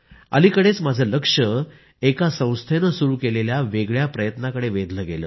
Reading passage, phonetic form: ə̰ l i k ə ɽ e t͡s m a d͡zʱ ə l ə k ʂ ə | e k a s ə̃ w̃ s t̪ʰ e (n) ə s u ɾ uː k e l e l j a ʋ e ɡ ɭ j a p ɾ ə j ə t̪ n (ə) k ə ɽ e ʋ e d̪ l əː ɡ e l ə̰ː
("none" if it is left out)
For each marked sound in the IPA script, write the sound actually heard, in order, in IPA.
n, a

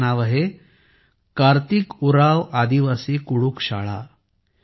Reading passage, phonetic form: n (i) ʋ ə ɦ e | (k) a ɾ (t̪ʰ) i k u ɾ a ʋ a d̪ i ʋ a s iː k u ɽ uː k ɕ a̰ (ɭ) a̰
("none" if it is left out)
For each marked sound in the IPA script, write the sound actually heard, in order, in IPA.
a, k, t̪, ɭ

